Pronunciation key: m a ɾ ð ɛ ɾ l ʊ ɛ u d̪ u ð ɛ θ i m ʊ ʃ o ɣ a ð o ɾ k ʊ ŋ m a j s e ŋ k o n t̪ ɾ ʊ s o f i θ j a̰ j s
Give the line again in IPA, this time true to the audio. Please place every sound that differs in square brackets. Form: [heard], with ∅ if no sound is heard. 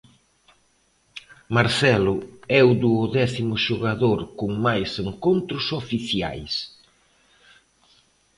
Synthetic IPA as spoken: m a ɾ [θ] ɛ [∅] l ʊ ɛ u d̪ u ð ɛ θ i m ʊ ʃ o ɣ a ð o ɾ k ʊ ŋ m a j s e ŋ k o n t̪ ɾ ʊ s o f i θ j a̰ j s